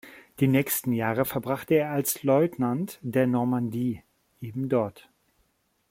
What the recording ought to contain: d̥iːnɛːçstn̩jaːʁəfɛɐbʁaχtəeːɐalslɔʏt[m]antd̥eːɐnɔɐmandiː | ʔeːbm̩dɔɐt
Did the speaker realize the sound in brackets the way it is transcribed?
no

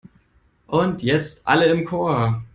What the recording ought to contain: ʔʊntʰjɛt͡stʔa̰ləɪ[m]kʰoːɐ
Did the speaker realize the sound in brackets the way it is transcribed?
yes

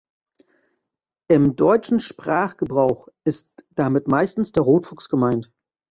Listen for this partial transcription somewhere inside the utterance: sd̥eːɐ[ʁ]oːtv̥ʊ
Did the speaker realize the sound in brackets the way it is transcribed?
yes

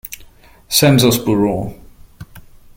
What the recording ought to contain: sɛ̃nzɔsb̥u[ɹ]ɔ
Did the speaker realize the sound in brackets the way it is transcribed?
yes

